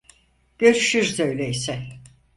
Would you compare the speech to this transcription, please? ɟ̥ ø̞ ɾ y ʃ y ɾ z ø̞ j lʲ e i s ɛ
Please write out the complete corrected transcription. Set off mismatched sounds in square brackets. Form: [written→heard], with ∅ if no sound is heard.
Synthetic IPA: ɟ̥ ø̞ ɾ y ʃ y ɾ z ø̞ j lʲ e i s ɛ